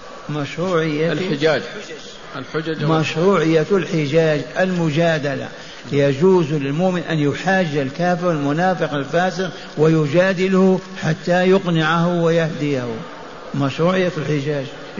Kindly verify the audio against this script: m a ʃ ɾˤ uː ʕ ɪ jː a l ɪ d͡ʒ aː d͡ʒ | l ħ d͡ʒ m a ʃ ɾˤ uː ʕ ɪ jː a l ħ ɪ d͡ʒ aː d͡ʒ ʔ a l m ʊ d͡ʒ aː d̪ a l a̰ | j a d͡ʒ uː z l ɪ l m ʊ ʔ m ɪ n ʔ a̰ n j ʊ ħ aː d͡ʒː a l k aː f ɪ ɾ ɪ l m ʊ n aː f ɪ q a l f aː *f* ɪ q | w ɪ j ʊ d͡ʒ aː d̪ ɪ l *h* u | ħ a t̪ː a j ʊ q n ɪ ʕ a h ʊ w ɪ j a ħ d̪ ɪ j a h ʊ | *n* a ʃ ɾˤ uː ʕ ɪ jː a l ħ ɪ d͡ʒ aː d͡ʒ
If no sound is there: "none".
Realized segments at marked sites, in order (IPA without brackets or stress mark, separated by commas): s, h, m